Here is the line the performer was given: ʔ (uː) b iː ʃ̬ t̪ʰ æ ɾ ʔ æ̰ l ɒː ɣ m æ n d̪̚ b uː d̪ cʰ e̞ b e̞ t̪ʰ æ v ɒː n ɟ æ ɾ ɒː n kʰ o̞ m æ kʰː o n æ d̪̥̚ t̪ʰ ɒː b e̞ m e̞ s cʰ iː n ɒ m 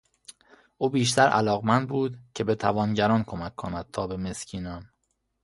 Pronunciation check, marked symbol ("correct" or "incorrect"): correct